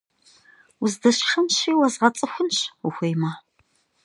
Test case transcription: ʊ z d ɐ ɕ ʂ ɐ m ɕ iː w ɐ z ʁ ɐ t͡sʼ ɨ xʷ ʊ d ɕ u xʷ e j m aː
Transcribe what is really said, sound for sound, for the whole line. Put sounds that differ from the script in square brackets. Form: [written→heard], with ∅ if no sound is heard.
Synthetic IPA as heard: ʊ z d ɐ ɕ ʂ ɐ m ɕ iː w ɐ z ʁ ɐ t͡sʼ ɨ xʷ ʊ [d→n] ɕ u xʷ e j m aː